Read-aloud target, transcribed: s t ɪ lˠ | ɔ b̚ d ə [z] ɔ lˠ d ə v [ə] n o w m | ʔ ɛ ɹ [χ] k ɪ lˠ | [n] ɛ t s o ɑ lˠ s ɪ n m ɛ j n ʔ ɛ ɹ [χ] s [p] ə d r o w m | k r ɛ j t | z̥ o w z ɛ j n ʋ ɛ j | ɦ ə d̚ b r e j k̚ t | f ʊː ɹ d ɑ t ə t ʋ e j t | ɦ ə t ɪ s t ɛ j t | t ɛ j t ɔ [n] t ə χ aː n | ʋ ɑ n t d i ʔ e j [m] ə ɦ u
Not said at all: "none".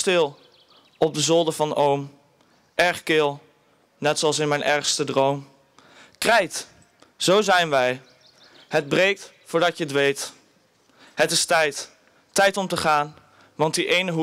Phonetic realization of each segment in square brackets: z, ɑ, χ, n, χ, t, m, n

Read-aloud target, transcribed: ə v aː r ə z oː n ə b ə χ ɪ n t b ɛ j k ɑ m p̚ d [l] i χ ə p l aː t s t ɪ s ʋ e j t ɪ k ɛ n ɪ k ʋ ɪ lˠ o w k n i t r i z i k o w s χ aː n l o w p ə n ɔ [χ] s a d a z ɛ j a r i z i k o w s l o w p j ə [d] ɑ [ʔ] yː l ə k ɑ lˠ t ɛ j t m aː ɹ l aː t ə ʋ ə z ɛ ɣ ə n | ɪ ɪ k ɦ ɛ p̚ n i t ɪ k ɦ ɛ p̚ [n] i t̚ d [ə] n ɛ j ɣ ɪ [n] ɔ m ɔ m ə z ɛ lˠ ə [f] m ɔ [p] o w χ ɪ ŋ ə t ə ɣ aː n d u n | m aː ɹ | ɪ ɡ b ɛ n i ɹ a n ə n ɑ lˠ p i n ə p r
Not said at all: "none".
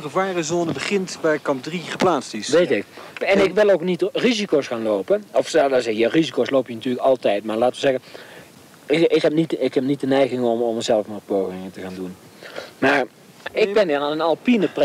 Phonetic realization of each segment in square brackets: r, f, n, t, n, ə, ŋ, f, p

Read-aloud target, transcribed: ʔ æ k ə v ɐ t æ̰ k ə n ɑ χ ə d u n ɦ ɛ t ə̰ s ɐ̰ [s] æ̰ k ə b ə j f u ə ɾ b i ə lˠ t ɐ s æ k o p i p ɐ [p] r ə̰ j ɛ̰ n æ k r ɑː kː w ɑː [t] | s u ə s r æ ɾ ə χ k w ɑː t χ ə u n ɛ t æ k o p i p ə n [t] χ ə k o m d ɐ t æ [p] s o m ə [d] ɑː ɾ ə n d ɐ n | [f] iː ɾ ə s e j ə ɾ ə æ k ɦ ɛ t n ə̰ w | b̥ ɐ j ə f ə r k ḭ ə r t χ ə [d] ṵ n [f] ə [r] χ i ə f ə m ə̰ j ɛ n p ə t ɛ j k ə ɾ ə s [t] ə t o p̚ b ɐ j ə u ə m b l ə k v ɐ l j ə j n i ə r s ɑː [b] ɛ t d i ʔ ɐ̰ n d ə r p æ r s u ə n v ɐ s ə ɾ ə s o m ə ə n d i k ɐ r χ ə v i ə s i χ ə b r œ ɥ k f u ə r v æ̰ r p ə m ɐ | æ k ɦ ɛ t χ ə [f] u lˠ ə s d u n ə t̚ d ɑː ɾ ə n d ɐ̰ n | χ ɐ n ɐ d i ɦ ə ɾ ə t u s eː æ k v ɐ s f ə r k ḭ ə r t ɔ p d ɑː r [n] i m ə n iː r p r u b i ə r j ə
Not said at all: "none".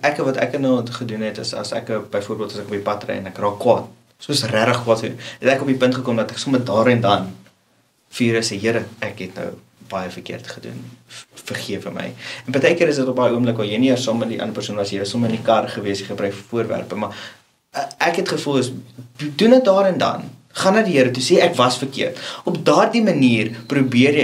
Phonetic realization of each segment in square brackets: s, t, t, t, k, d, f, d, f, r, d, m, f, d

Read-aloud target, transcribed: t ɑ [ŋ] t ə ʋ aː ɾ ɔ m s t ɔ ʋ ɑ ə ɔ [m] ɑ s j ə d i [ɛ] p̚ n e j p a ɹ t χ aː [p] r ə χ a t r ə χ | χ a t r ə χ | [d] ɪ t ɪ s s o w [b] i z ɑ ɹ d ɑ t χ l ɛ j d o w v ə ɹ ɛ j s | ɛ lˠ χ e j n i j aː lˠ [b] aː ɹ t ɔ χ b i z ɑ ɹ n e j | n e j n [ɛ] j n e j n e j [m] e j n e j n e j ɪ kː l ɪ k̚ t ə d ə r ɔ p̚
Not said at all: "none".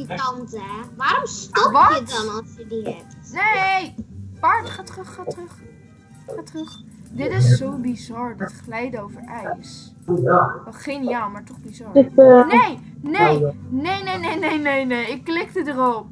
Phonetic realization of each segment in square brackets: n, n, ɛ, t, d, b, m, e, n

